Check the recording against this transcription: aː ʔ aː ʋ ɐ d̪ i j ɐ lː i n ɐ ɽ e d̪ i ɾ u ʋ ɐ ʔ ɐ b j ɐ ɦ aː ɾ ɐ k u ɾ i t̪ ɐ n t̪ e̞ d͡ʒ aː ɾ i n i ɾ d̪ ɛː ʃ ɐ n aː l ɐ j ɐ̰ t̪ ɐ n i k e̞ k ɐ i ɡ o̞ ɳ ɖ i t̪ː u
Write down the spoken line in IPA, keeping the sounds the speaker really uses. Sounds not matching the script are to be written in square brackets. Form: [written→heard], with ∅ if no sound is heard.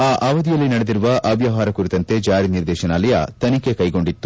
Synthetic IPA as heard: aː ʔ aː ʋ ɐ d̪ i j ɐ lː i n ɐ ɽ e d̪ i ɾ u ʋ ɐ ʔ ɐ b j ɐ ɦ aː ɾ ɐ k u ɾ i t̪ ɐ n t̪ e̞ d͡ʒ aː ɾ i n i ɾ d̪ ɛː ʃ ɐ n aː l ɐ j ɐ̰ t̪ ɐ n i k e̞ k ɐ [i→j] ɡ o̞ ɳ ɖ i t̪ː u